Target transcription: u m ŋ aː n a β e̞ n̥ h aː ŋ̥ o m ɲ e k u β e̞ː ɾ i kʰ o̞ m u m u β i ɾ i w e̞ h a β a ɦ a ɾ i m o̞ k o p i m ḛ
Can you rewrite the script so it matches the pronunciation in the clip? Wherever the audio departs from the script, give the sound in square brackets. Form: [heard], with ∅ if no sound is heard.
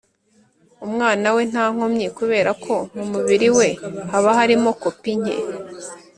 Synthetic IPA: u m ŋ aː n a [w] e̞ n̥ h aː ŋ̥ o m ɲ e k u β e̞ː ɾ [a] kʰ o̞ m u m u β i ɾ i w e̞ h a β a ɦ a ɾ i m o̞ k o p i [ɲ] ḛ